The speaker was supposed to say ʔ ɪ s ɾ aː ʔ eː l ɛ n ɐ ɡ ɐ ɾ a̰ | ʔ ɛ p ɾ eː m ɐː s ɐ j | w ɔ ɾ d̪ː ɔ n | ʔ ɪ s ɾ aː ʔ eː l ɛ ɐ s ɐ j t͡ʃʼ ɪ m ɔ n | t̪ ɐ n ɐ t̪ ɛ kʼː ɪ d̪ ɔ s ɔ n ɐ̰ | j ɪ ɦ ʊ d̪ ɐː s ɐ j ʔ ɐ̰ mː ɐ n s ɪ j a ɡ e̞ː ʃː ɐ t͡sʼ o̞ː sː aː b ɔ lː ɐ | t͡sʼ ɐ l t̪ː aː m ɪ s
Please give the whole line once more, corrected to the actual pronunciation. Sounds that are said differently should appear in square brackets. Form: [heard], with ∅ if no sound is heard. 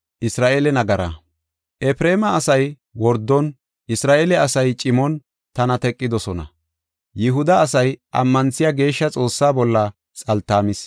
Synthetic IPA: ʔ ɪ s ɾ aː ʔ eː l ɛ n ɐ ɡ ɐ ɾ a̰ | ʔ ɛ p ɾ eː m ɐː s ɐ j | w ɔ ɾ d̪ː ɔ n | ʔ ɪ s ɾ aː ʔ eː l ɛ ɐ s ɐ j t͡ʃʼ ɪ m ɔ n | t̪ ɐ n ɐ t̪ ɛ kʼː ɪ d̪ ɔ s ɔ n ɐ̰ | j ɪ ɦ ʊ d̪ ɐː s ɐ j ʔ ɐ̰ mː ɐ n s ɪ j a ɡ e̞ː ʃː ɐ t͡sʼ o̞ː sː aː b ɔ lː ɐ | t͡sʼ ɐ l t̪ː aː m ɪ s